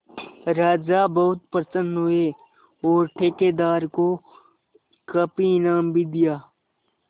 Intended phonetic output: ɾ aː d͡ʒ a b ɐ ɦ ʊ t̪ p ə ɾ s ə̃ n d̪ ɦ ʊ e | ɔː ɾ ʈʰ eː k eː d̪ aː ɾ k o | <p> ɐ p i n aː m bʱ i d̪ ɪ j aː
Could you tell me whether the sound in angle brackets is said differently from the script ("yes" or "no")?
yes